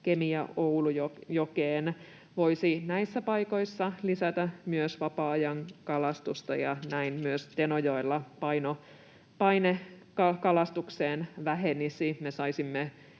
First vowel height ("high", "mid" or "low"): mid